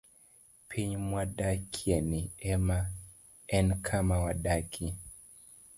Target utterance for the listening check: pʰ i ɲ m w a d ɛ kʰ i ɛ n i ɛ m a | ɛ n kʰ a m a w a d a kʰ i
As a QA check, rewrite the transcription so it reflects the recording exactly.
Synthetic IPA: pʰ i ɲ m w a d a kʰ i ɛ n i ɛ m a | ɛ n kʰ a m a w a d a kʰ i

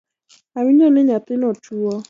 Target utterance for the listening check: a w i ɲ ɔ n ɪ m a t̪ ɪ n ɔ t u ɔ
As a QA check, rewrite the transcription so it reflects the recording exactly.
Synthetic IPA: a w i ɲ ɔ n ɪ ɲ a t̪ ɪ n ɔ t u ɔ

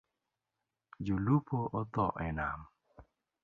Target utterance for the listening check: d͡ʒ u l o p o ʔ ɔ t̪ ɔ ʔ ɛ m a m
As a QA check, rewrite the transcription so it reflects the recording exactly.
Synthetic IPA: d͡ʒ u l u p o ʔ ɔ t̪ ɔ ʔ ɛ n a m

